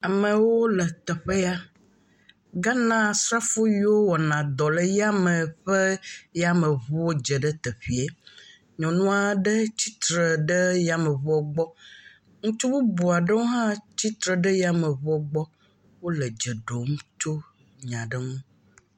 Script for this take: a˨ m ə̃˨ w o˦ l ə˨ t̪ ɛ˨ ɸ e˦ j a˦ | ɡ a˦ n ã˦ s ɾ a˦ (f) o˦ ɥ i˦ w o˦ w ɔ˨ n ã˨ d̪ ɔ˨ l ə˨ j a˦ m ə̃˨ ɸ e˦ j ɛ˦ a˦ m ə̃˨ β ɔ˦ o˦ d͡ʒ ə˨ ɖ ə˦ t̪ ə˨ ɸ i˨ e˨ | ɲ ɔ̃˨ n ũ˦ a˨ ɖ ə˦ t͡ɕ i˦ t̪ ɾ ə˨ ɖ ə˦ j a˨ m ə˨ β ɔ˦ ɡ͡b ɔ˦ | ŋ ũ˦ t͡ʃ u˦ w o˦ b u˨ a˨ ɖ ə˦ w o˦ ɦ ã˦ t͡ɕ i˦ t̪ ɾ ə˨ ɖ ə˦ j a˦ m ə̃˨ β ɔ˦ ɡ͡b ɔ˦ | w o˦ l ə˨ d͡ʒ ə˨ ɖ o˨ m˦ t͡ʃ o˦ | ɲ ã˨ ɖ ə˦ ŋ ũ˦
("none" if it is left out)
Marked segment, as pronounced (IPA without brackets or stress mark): f